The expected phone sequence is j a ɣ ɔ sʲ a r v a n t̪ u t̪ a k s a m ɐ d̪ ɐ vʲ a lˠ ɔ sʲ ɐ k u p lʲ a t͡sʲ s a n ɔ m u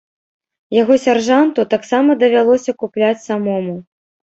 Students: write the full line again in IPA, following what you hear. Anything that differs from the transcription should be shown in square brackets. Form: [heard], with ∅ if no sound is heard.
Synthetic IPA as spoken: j a ɣ ɔ sʲ a r [ʐ] a n t̪ u t̪ a k s a m ɐ d̪ ɐ vʲ a lˠ ɔ sʲ ɐ k u p lʲ a t͡sʲ s a [m] ɔ m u